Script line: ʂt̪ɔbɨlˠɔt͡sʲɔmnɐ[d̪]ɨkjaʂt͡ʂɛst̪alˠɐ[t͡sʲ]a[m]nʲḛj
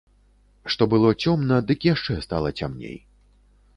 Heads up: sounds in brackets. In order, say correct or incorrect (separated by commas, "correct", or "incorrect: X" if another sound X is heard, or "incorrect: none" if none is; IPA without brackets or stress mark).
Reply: correct, correct, correct